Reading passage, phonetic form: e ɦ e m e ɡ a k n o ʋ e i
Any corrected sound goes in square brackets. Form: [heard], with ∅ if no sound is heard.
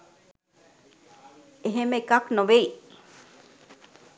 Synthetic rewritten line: e ɦ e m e [k] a k n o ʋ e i